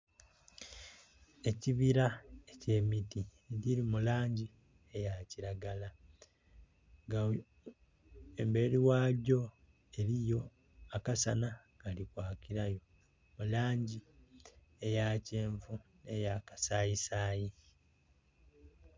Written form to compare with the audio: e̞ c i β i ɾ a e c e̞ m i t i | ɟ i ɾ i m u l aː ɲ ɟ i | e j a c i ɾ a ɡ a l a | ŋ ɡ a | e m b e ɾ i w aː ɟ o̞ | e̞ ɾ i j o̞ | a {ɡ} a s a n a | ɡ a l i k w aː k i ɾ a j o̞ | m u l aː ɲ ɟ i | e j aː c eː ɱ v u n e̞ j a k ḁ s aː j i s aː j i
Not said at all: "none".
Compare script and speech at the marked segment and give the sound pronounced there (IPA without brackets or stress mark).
k